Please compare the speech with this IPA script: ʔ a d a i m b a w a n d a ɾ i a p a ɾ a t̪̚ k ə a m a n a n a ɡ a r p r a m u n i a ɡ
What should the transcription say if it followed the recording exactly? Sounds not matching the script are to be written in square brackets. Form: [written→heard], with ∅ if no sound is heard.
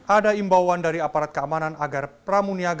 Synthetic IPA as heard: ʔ a d a i m b a w a n d a ɾ i a p a ɾ a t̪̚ k ə a m a n a n a ɡ a r p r a m u n i a ɡ